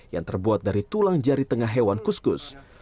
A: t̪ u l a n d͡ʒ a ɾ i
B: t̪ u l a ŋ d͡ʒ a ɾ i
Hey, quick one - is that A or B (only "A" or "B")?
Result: B